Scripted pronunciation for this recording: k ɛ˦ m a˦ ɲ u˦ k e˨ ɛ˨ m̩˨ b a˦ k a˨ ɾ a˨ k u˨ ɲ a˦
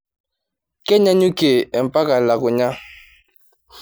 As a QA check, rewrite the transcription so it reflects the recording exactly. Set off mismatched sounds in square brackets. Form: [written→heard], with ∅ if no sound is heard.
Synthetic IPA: k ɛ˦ [m→ɲ] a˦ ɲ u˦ k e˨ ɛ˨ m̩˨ [b→p] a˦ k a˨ [ɾ→l] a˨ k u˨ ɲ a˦